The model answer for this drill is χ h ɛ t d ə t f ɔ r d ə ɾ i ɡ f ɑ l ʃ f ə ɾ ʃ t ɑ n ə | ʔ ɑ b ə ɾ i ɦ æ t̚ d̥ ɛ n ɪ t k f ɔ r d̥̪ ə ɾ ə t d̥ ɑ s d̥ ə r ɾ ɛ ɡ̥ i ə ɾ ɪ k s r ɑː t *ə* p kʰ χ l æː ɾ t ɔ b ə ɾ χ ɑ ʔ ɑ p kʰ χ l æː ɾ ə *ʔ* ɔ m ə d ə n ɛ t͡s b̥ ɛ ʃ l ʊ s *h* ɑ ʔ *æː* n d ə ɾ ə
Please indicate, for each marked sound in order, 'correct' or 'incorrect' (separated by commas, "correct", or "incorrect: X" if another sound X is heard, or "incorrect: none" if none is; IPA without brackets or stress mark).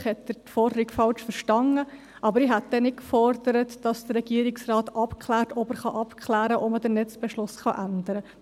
incorrect: ɑ, correct, incorrect: χ, incorrect: æ